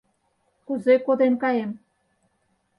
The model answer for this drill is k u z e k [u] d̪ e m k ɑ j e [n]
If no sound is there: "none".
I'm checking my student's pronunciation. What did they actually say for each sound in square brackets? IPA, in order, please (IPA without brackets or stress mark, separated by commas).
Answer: o, m